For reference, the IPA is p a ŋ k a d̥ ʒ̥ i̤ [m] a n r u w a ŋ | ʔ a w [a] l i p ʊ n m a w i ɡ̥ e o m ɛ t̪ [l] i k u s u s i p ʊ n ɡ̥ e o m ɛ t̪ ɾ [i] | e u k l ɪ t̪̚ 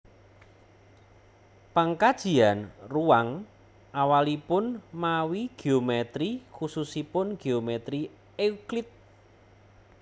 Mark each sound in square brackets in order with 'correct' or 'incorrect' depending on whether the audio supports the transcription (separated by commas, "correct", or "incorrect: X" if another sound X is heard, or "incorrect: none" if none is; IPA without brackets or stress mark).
incorrect: none, correct, incorrect: ɾ, correct